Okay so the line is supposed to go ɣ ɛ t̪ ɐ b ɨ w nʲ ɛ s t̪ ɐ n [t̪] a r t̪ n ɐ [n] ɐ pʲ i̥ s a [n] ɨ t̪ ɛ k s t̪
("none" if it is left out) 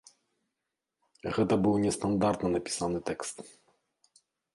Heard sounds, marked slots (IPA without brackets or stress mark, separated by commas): d̪, n, n